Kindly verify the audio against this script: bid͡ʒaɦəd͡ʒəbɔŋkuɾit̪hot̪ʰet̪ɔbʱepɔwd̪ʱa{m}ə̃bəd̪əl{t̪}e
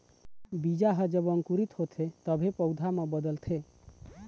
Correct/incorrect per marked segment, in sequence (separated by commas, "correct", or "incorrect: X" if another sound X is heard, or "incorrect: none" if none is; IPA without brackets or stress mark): correct, incorrect: t̪ʰ